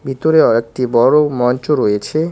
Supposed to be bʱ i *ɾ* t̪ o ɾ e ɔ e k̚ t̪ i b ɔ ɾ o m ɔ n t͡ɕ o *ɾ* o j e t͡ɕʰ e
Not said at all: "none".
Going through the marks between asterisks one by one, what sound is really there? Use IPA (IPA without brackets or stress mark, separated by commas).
none, ɾ